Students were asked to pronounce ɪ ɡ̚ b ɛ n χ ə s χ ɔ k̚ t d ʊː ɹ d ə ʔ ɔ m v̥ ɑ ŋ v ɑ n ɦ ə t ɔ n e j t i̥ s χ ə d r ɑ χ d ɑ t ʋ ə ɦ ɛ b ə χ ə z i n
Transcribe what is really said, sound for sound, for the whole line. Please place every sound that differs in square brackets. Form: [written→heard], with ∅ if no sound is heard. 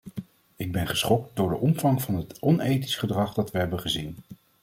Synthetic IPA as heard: ɪ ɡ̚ b ɛ n χ ə s χ ɔ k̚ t d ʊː ɹ d ə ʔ ɔ m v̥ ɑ ŋ v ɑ n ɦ ə t ɔ n e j t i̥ s χ ə d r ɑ χ d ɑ t ʋ ə ɦ ɛ b ə χ ə z i n